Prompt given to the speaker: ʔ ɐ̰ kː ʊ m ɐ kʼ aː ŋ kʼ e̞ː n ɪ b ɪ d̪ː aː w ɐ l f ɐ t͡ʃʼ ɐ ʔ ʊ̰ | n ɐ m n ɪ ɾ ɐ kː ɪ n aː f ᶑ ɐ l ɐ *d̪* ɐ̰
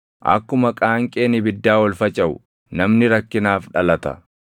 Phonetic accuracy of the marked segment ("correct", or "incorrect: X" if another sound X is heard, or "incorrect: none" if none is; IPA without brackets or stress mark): incorrect: t̪